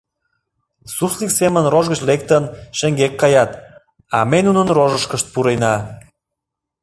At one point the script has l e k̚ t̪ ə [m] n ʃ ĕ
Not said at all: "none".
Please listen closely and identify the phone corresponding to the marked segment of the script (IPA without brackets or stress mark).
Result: none